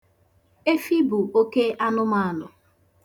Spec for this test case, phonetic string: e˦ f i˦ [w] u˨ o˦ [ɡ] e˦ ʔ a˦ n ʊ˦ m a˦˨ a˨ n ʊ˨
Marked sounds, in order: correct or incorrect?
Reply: incorrect: b, incorrect: k

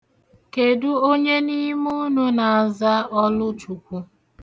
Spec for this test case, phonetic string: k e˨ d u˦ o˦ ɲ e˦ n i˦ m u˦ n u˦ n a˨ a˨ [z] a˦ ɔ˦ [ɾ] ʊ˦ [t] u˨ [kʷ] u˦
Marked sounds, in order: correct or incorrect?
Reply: correct, incorrect: l, incorrect: t͡ʃ, correct

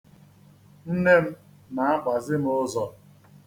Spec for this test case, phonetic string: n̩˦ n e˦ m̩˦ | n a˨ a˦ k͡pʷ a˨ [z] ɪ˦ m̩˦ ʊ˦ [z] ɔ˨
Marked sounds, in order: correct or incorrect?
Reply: correct, correct

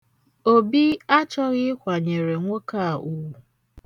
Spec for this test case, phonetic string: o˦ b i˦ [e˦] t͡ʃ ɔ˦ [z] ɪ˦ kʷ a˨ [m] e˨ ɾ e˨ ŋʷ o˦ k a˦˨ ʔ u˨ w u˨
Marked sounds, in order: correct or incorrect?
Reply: incorrect: a˦, incorrect: ɣ, incorrect: ɲ

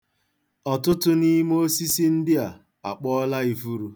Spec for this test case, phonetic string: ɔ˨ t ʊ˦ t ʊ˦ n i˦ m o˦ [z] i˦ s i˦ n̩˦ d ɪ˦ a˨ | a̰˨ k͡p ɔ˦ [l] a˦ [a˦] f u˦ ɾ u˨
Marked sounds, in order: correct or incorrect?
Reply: incorrect: s, correct, incorrect: i˦

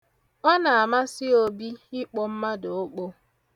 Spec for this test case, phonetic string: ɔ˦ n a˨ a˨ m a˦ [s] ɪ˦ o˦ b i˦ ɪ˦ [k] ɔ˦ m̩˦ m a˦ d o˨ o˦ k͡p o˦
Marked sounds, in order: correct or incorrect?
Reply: correct, incorrect: k͡p

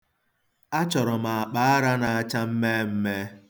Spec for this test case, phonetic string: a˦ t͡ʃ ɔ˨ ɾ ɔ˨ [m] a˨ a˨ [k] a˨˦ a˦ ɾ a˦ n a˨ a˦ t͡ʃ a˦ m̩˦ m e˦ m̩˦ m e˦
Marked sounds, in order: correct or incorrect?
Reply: correct, incorrect: k͡p

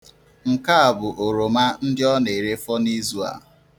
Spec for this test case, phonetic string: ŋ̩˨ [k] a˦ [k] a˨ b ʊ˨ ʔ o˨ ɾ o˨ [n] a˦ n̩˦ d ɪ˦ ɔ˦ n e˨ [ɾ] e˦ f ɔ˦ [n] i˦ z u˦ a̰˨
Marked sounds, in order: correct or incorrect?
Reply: correct, incorrect: none, incorrect: m, correct, correct

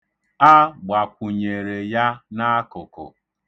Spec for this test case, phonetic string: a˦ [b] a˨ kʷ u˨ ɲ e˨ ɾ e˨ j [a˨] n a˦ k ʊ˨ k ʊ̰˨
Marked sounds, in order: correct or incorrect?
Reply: incorrect: ɡ͡b, incorrect: a˦

